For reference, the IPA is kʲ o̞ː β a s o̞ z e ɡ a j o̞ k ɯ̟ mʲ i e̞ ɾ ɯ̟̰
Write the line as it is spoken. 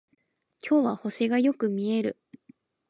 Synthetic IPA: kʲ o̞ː β a h o̞ s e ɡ a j o̞ k ɯ̟ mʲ i e̞ ɾ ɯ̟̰